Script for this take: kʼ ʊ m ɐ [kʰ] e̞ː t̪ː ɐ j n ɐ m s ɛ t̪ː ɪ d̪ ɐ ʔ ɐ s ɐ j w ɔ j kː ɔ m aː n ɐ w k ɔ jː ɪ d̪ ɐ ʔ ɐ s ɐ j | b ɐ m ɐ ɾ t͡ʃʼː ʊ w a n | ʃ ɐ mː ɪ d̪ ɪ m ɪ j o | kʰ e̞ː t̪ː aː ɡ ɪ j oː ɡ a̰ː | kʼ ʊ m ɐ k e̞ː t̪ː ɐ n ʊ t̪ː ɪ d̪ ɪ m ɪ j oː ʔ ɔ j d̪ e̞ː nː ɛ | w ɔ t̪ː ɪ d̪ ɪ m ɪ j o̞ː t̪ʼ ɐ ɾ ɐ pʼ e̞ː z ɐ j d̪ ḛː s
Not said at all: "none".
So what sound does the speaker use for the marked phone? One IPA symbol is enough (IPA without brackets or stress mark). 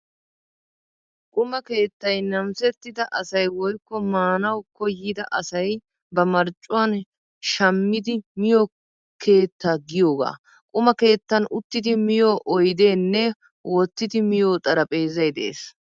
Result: k